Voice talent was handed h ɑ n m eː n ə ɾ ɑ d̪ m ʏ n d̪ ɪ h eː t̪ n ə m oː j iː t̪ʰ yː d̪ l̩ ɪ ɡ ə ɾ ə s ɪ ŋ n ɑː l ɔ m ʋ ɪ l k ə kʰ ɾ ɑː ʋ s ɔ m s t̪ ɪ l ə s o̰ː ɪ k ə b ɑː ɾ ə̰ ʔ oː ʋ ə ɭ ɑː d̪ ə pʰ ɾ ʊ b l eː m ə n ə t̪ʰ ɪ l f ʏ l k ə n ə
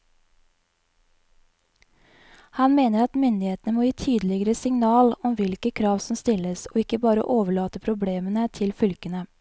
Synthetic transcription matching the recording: h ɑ n m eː n ə ɾ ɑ t̪ m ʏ n d̪ ɪ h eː t̪ n ə m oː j iː t̪ʰ yː d̪ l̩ ɪ ɡ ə ɾ ə s ɪ ŋ n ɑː l ɔ m ʋ ɪ l k ə kʰ ɾ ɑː ʋ s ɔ m s t̪ ɪ l ə s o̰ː ɪ k ə b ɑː ɾ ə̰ ʔ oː ʋ ə ɭ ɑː t̪ ə pʰ ɾ ʊ b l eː m ə n ə t̪ʰ ɪ l f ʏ l k ə n ə